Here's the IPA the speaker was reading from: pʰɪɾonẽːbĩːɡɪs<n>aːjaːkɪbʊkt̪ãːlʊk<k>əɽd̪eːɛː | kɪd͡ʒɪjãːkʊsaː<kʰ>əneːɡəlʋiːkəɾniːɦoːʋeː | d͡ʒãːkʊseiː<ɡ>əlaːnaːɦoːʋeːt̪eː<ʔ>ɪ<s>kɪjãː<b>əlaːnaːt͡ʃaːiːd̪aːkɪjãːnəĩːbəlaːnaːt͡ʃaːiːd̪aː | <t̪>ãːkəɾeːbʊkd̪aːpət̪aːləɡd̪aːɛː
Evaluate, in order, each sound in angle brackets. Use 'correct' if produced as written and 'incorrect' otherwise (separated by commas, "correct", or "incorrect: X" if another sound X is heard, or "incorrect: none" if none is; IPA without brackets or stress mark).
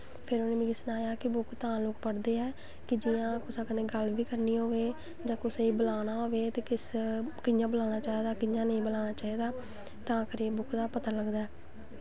correct, incorrect: p, incorrect: k, incorrect: b, incorrect: k, correct, correct, correct